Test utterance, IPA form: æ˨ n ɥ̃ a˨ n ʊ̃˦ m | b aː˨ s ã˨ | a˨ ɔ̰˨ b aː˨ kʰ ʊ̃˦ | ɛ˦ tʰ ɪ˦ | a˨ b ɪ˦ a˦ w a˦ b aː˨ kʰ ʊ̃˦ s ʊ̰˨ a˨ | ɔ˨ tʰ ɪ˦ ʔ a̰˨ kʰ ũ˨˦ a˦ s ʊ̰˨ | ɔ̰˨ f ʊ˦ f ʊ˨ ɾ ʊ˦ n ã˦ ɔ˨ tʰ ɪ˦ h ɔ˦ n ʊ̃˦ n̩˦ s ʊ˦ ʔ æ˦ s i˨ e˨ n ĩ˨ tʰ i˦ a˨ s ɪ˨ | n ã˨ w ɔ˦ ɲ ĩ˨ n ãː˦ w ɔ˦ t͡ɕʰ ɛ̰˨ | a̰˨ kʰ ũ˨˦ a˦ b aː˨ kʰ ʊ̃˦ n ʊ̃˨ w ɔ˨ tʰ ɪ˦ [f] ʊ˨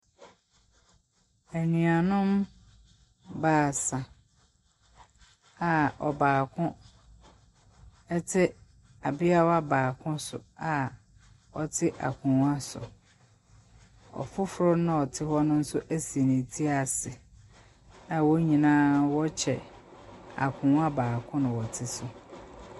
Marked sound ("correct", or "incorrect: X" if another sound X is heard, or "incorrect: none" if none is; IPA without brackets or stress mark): incorrect: s